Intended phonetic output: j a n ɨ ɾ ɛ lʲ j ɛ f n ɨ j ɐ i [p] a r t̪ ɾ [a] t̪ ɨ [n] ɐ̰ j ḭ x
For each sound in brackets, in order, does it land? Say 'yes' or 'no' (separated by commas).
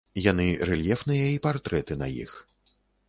yes, no, yes